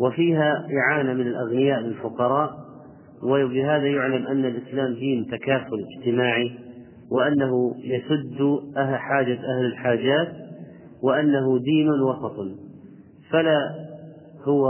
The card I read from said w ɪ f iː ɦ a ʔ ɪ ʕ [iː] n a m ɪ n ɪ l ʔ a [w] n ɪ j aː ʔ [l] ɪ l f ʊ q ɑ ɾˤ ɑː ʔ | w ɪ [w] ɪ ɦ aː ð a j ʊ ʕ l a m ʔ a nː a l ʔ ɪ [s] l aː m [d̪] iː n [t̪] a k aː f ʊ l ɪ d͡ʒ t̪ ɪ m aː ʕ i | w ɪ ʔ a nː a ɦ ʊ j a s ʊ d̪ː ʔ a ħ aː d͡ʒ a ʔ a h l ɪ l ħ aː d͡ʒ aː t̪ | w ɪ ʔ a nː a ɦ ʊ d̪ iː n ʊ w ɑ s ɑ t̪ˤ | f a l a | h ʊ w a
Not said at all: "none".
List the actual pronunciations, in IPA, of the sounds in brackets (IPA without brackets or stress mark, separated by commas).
aː, ɣ, l, b, s, d̪, t̪